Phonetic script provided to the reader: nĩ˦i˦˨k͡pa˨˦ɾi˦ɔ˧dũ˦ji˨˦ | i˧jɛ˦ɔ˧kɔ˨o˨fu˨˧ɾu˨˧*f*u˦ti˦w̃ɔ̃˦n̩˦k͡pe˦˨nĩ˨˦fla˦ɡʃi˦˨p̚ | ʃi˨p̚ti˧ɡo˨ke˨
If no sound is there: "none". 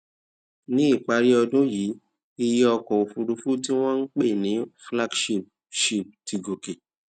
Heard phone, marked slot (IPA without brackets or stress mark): f